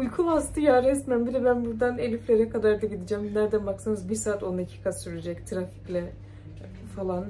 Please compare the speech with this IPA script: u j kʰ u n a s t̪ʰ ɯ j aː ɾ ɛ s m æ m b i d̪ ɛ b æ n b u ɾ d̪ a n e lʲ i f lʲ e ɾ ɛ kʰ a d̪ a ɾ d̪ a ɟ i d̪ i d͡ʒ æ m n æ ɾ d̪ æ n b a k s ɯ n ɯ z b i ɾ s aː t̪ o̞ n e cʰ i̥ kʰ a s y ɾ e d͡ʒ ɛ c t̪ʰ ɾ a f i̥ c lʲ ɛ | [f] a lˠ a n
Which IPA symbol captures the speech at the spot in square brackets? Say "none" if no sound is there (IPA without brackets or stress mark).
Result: f